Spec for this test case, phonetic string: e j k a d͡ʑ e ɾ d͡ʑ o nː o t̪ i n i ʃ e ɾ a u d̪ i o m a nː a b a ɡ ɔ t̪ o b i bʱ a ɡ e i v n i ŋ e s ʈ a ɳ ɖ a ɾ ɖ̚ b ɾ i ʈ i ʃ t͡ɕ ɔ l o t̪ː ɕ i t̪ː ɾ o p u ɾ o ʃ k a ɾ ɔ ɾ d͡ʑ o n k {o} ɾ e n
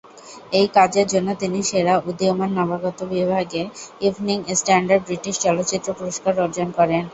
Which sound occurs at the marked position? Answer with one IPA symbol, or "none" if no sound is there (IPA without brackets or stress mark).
ɔ